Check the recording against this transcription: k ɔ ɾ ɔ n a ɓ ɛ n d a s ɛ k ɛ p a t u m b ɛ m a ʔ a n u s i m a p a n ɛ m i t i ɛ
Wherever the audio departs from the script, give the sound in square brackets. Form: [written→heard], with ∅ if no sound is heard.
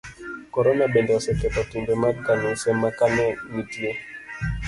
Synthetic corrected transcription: k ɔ ɾ ɔ n a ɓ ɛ n d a s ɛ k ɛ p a t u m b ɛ m a [ʔ→k] a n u s [i→ɛ] m a [p→k] a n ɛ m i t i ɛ